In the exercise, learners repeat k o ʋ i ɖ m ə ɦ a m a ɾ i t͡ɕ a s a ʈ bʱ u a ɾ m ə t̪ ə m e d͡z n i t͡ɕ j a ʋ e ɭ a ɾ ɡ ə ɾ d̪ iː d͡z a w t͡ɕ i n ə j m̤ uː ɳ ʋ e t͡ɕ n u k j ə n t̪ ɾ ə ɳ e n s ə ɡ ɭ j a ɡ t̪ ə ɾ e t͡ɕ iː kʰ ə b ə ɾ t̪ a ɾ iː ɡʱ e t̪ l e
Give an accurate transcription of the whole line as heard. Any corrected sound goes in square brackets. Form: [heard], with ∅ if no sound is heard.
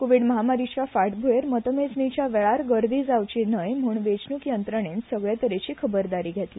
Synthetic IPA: k o ʋ i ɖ m ə ɦ a m a ɾ i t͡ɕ a [f] a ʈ bʱ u [e] ɾ m ə t̪ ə m e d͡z n i t͡ɕ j a ʋ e ɭ a ɾ ɡ ə ɾ d̪ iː d͡z a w t͡ɕ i n ə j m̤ uː ɳ ʋ e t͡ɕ n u k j ə n t̪ ɾ ə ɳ e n s ə ɡ ɭ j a [∅] t̪ ə ɾ e t͡ɕ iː kʰ ə b ə ɾ [d̪] a ɾ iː ɡʱ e t̪ l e